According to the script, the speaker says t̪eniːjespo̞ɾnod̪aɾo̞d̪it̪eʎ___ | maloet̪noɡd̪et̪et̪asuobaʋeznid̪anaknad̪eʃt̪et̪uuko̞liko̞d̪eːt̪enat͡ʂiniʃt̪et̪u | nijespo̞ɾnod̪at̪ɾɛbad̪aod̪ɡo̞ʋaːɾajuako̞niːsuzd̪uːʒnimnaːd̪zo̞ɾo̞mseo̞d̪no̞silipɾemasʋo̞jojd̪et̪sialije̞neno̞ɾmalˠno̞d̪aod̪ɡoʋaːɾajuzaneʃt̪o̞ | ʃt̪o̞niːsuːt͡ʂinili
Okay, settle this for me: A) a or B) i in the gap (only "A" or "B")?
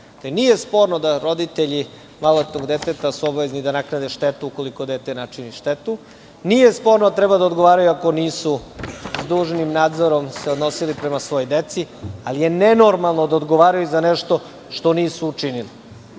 B